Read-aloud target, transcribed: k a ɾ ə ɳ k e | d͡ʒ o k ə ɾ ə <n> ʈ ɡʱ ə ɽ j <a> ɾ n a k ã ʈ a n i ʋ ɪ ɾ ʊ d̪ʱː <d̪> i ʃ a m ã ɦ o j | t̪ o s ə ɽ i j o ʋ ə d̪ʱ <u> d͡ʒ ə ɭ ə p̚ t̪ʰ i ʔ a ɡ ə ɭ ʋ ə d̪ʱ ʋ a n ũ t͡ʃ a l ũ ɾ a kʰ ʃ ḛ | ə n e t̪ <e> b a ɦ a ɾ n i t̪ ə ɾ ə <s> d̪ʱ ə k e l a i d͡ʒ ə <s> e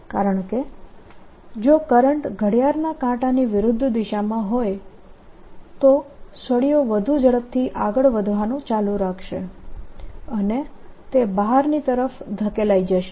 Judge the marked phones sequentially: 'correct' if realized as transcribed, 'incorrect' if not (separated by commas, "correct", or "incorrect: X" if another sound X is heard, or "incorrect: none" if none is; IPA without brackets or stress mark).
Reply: incorrect: ɳ, correct, correct, correct, correct, incorrect: f, incorrect: ʃ